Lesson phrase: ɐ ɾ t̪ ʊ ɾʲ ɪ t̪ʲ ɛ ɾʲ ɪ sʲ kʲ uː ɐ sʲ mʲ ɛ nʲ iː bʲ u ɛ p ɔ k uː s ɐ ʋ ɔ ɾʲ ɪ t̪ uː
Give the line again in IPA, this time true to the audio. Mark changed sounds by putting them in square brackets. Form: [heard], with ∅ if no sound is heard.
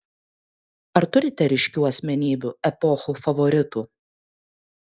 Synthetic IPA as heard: ɐ ɾ t̪ ʊ ɾʲ ɪ t̪ʲ ɛ ɾʲ ɪ [ʃʲ] kʲ uː ɐ sʲ mʲ ɛ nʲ iː bʲ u ɛ p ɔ [x] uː [f] ɐ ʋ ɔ ɾʲ ɪ t̪ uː